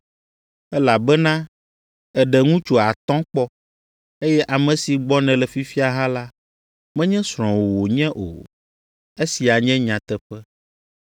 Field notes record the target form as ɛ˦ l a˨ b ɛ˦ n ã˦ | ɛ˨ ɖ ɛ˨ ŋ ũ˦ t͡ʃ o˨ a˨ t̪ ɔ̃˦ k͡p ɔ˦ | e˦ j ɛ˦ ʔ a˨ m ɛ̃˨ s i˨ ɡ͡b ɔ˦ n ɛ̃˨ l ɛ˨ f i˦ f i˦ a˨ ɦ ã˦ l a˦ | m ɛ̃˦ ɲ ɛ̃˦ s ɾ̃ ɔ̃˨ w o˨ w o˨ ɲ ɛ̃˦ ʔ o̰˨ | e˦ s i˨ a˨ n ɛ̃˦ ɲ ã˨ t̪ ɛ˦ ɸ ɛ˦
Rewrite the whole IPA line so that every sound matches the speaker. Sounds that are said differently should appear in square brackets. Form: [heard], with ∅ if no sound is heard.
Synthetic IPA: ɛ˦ l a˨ b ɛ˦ n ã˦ | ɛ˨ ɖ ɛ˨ ŋ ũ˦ t͡ʃ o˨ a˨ t̪ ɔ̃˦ k͡p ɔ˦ | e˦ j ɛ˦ ʔ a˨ m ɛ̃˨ s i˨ ɡ͡b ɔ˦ n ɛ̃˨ l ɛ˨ f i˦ f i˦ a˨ ɦ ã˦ l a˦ | m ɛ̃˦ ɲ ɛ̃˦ s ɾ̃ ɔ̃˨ w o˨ w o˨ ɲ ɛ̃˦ ʔ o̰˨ | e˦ s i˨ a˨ [ɲ] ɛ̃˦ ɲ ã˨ t̪ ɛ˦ ɸ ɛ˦